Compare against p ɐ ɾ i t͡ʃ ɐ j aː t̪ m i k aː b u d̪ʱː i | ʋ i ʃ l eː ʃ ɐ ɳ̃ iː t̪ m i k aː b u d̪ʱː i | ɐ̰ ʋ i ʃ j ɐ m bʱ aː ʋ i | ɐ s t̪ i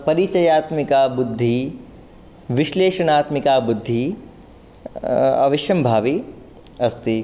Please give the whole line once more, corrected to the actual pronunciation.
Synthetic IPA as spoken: p ɐ ɾ i t͡ʃ ɐ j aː t̪ m i k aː b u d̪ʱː i | ʋ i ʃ l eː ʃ ɐ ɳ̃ aː t̪ m i k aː b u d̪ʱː i | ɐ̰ ʋ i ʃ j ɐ m bʱ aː ʋ i | ɐ s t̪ i